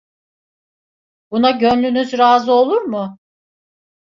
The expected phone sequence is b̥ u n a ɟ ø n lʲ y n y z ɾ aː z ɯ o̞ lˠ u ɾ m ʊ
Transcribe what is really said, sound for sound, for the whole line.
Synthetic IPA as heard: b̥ u n a ɟ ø n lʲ y n y z ɾ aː z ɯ o̞ lˠ u ɾ m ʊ